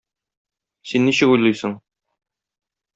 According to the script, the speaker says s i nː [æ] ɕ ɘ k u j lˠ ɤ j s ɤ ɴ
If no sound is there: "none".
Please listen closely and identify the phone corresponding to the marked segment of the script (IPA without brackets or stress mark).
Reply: i